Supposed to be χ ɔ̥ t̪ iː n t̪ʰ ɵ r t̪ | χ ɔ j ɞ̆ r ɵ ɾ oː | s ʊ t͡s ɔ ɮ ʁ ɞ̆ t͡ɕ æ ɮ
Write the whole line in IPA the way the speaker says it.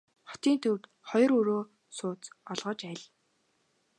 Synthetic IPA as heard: χ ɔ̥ t̪ iː n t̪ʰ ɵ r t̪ | χ ɔ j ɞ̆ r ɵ ɾ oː | s ʊː t͡s ɔ ɮ ʁ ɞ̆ t͡ɕ æ ɮ